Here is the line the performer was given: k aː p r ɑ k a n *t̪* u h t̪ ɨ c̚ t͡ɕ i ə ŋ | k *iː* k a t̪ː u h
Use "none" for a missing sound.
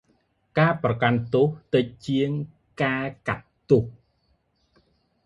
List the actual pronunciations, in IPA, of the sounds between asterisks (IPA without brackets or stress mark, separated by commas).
t̪, aː